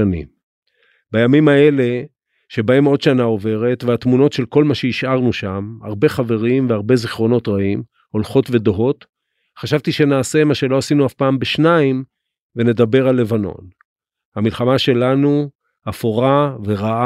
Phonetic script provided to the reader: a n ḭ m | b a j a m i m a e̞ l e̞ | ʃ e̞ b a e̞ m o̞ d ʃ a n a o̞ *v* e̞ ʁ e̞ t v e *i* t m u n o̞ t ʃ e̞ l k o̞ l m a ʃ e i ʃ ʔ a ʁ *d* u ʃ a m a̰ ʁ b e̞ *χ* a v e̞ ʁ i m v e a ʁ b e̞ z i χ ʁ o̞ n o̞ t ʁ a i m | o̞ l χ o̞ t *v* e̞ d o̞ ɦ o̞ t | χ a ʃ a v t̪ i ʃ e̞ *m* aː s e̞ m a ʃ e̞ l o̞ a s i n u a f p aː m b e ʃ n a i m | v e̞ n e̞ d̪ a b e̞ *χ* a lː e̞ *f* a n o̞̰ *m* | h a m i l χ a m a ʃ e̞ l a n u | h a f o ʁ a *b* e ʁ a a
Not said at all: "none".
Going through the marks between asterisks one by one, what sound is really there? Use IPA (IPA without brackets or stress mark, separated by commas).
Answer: v, a, n, χ, v, n, ʁ, v, n, v